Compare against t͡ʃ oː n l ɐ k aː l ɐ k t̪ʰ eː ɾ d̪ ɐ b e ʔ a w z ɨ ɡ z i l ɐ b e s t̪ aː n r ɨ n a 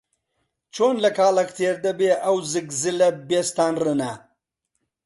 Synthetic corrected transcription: t͡ʃ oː n l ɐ k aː l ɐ k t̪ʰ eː ɾ d̪ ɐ b e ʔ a w z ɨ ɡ z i l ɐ b e s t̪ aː n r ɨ n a